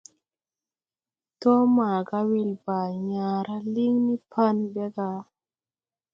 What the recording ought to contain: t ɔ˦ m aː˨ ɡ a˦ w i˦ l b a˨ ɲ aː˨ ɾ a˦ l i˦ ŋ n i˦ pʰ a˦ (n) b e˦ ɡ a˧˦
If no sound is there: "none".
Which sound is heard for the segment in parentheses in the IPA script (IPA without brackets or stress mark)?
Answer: n